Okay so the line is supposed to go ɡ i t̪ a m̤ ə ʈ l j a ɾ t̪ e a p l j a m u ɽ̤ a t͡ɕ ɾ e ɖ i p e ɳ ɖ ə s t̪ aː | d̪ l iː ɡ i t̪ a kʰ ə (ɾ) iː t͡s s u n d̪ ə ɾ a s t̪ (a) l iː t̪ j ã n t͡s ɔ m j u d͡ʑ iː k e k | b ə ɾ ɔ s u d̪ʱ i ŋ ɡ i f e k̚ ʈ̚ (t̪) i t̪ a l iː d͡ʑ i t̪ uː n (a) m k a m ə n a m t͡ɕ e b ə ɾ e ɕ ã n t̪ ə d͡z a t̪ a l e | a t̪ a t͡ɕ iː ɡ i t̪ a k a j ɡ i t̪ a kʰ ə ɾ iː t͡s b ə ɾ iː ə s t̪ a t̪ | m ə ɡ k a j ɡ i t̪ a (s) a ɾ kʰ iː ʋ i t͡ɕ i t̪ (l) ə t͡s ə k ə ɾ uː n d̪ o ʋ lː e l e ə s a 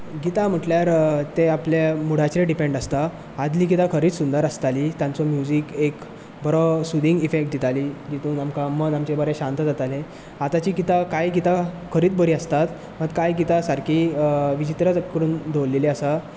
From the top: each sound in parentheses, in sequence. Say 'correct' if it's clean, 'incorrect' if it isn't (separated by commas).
correct, correct, incorrect, correct, correct, incorrect